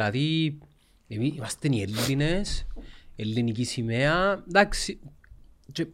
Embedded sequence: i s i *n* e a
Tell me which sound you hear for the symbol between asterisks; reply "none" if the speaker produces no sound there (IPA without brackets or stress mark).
m